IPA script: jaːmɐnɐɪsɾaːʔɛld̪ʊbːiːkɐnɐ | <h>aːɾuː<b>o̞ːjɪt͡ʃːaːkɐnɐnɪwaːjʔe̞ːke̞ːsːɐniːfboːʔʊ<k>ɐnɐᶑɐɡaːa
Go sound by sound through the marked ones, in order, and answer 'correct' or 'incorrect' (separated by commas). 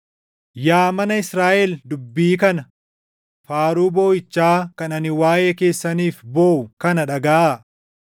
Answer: incorrect, correct, correct